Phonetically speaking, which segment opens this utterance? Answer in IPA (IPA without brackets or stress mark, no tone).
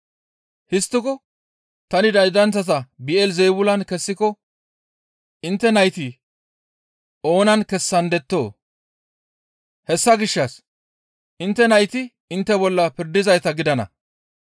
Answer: h